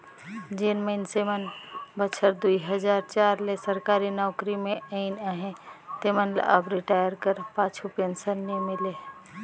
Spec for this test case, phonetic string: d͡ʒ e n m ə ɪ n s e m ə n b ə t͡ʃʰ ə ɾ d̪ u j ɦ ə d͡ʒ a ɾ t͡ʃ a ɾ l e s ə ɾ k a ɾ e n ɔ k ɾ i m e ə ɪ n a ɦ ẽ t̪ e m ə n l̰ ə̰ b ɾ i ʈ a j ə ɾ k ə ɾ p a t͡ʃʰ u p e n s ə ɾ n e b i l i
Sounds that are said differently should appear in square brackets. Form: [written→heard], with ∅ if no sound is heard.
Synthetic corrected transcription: d͡ʒ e n m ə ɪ n s e m ə n b ə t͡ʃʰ ə ɾ d̪ u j ɦ ə d͡ʒ a ɾ t͡ʃ a ɾ l e s ə ɾ k a ɾ [e→i] n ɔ k ɾ i m e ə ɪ n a ɦ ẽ t̪ e m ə n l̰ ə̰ b ɾ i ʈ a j ə ɾ k ə ɾ p a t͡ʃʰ u p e n s ə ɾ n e [b→m] i l [i→e]

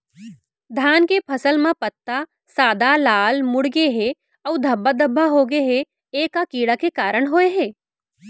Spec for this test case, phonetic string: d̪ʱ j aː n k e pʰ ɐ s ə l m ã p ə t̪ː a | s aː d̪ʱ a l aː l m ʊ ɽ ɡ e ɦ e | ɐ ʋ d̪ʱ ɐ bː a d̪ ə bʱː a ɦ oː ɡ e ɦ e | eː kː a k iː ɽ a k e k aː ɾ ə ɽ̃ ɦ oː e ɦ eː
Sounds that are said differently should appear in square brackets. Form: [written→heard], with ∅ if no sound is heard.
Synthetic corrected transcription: d̪ʱ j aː n k e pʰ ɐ s ə l m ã p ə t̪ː a | s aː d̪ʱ a l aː l m ʊ ɽ ɡ e ɦ e | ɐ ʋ d̪ʱ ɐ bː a d̪ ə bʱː a ɦ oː ɡ e ɦ e | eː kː a k iː ɽ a k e k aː ɾ ə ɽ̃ ɦ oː e ɦ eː

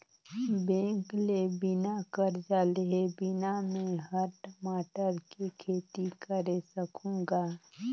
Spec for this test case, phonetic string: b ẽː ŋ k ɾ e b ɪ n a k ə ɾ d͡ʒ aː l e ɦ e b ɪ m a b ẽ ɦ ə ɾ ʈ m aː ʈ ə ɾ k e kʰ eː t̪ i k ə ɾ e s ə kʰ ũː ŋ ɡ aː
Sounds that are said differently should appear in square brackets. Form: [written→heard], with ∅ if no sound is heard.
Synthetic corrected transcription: b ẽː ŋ k [ɾ→l] e b ɪ n a k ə ɾ d͡ʒ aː l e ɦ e b ɪ [m→n] a [b→m] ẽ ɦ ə ɾ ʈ m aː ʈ ə ɾ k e kʰ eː t̪ i k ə ɾ e s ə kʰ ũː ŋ ɡ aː

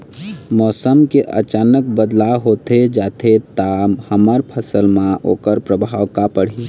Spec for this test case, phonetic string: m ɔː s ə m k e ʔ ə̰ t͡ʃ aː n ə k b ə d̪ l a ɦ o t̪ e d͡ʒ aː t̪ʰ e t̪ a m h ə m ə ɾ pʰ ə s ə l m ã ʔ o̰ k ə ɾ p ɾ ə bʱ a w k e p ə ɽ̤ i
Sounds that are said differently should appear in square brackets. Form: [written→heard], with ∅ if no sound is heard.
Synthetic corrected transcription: m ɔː s ə m k e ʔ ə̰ t͡ʃ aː n ə k b ə d̪ l a ɦ o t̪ e d͡ʒ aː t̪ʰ e t̪ a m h ə m ə ɾ pʰ ə s ə l m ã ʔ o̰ k ə ɾ p ɾ ə bʱ a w k [e→a] p ə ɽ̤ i

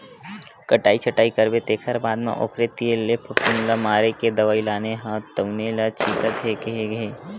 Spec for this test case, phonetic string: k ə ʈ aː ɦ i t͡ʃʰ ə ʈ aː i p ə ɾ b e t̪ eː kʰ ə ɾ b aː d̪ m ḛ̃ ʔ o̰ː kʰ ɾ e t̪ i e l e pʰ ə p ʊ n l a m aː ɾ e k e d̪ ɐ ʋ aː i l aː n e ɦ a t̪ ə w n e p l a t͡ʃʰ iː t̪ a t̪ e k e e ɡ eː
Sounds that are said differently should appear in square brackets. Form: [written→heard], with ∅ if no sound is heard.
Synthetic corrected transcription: k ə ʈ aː [ɦ→∅] i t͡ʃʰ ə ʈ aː i [p→k] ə ɾ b e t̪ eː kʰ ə ɾ b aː d̪ m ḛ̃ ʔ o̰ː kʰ ɾ e t̪ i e l e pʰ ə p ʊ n l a m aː ɾ e k e d̪ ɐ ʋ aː i l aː n e ɦ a t̪ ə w n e [p→∅] l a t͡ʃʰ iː t̪ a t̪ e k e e ɡ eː

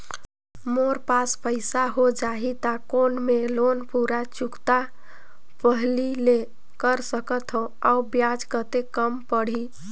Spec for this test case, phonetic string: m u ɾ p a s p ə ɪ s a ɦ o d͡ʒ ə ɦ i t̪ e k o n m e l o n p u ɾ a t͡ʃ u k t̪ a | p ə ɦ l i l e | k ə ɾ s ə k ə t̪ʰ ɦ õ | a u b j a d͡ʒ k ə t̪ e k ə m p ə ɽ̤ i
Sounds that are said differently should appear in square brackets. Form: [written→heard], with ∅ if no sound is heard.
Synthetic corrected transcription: m [u→o] ɾ p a s p ə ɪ s a ɦ o d͡ʒ [ə→a] ɦ i t̪ [e→a] k o n m e l o n p u ɾ a t͡ʃ u k t̪ a | p ə ɦ l i l e | k ə ɾ s ə k ə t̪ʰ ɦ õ | a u b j a d͡ʒ k ə t̪ e k ə m p ə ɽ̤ i

